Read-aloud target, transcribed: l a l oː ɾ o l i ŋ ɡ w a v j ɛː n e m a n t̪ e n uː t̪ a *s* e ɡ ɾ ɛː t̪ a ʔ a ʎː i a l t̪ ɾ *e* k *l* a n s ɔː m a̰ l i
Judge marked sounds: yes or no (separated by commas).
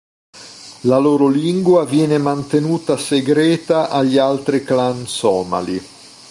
yes, no, yes